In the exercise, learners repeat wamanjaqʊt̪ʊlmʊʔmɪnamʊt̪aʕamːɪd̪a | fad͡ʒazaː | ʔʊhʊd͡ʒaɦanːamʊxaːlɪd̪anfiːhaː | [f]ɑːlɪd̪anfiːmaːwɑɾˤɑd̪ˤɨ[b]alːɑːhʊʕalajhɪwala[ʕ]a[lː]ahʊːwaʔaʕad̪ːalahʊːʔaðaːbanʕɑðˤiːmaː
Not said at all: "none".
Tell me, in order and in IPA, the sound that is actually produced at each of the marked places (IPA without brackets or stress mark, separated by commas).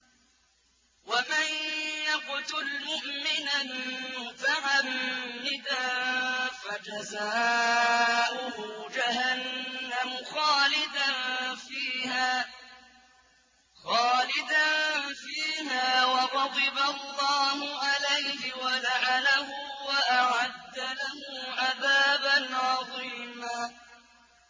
x, b, ʕ, l